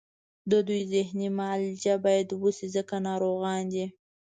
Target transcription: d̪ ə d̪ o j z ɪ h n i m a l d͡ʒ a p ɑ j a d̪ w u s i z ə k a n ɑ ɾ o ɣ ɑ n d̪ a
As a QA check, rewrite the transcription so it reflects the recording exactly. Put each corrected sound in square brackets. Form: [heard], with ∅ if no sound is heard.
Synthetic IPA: d̪ ə d̪ [u] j z ɪ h n i m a l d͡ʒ a [b] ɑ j a d̪ w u s i z ə k a n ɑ ɾ o ɣ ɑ n d̪ [i]